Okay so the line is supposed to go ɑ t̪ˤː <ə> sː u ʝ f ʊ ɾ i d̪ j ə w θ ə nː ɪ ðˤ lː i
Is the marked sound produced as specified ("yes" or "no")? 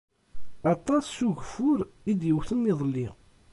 no